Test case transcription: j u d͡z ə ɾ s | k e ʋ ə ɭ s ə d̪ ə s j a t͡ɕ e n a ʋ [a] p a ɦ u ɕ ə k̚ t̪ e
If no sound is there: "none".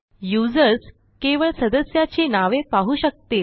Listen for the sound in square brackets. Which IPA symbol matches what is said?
e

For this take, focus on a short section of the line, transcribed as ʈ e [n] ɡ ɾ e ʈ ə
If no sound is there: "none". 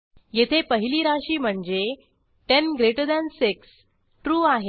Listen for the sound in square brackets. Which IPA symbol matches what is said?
n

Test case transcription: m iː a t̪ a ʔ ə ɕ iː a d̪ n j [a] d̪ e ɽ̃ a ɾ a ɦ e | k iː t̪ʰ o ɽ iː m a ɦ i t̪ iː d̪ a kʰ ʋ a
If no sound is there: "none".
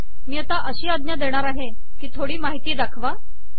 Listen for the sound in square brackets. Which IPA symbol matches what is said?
a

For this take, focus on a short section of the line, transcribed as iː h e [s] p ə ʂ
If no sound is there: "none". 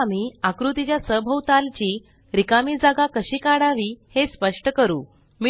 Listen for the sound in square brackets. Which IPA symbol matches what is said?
s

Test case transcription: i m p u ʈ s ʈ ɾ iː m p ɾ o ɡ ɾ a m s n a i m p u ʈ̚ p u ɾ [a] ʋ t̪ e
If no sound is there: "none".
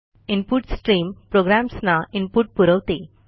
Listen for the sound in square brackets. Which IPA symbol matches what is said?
ə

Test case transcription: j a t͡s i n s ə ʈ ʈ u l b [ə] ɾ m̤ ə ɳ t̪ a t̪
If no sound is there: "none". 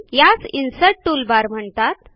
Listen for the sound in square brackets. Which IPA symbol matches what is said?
a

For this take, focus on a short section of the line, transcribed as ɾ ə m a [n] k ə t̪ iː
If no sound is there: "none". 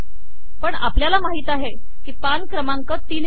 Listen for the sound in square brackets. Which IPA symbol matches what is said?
ŋ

